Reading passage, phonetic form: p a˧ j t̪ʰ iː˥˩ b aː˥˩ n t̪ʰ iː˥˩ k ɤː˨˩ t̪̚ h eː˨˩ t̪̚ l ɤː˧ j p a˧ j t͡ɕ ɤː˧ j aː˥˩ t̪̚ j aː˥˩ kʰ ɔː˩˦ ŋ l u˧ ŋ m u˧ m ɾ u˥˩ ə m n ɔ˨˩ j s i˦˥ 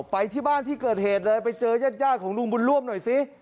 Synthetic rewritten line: p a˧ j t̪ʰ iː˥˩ b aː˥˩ n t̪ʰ iː˥˩ k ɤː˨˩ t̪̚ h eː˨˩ t̪̚ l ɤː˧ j p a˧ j t͡ɕ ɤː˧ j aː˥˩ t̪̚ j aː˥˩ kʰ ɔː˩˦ ŋ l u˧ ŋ b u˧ n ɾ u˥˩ ə m n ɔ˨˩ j s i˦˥